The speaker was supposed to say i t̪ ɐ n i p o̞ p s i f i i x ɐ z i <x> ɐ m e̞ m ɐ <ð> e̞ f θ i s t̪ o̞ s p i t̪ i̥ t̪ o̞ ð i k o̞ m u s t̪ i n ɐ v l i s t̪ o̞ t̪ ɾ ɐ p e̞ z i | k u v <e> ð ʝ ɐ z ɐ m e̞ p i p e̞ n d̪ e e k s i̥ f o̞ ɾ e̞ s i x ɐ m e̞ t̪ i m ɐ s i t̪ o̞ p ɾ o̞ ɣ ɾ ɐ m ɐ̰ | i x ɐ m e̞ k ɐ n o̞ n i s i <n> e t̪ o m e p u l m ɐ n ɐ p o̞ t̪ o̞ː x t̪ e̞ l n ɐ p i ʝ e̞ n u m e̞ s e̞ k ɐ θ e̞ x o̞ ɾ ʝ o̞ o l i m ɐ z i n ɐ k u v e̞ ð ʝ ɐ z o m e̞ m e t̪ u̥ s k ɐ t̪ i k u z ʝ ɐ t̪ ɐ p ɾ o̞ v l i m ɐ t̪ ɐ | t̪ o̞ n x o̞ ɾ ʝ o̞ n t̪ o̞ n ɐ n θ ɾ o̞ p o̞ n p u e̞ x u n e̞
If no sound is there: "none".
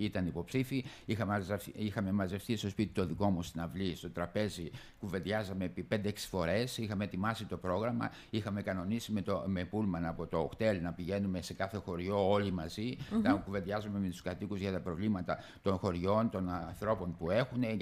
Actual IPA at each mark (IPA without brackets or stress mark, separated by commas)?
x, z, e, m